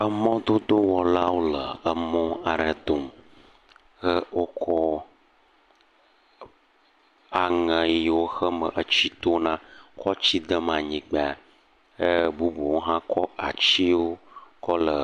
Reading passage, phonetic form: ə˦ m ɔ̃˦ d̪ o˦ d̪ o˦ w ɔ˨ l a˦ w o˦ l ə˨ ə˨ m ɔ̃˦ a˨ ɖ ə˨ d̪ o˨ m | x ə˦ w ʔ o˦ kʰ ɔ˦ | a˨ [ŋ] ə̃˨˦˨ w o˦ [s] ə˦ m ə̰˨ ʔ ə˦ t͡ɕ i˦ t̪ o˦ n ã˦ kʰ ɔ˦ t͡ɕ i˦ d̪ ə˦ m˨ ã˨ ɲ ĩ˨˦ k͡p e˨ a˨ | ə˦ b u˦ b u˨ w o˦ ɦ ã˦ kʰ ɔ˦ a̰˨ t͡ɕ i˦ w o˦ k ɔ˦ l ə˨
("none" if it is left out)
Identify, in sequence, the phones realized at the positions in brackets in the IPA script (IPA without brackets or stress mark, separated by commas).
ŋ, x